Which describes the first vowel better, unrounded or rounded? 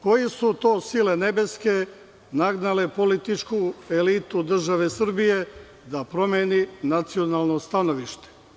rounded